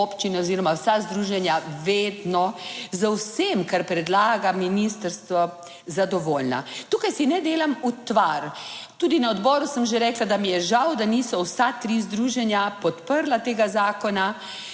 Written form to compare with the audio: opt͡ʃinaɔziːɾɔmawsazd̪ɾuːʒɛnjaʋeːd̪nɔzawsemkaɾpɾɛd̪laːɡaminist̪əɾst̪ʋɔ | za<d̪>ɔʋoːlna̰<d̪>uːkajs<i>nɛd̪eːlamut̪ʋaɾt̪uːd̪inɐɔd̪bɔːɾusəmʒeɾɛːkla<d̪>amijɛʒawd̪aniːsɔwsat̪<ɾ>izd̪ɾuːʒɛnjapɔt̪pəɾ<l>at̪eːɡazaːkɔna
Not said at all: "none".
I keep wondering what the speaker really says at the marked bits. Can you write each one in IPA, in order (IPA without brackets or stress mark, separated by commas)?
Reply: d̪, t̪, i, d̪, ɾ, l